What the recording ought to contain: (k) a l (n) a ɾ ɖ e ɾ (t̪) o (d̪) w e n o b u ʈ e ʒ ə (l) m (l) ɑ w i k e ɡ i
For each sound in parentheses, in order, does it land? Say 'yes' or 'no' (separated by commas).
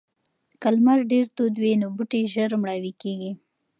yes, no, yes, yes, no, no